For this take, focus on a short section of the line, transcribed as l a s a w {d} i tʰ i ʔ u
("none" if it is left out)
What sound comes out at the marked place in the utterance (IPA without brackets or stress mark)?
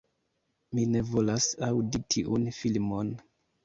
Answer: d